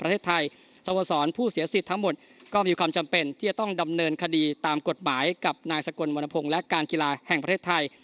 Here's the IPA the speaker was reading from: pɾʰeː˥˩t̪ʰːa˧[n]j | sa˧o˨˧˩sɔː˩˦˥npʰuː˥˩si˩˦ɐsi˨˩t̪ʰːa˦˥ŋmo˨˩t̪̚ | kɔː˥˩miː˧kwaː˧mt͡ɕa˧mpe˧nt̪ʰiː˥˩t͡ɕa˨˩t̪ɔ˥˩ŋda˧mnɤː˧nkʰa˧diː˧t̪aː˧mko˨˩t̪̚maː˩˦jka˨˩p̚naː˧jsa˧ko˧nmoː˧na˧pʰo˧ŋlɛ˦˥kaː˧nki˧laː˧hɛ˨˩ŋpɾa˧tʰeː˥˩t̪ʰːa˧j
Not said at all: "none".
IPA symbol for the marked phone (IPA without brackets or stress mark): none